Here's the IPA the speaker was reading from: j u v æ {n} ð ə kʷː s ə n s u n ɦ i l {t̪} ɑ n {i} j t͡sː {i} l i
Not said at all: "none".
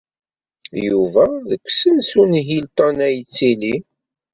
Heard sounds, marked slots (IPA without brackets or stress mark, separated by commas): none, t̪, æ, i